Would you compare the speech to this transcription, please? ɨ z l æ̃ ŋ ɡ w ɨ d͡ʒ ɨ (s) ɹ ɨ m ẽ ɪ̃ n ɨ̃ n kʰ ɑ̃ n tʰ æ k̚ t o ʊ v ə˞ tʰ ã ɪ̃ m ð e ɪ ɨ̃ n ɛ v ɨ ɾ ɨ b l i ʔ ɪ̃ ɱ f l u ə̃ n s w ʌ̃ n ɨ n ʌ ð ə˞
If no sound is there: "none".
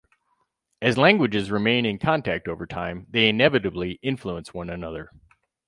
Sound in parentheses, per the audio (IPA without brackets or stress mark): z